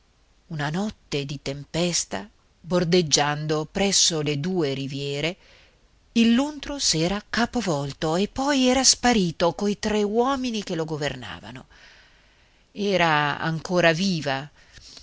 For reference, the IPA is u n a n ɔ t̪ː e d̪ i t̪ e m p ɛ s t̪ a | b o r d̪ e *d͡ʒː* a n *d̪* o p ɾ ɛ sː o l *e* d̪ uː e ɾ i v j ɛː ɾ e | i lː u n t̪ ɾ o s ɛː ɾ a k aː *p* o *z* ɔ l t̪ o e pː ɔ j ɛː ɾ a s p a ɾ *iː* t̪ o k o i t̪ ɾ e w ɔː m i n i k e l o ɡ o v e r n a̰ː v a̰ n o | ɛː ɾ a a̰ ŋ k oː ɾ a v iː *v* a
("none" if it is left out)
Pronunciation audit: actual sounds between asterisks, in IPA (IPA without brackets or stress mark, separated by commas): d͡ʒː, d̪, e, p, v, iː, v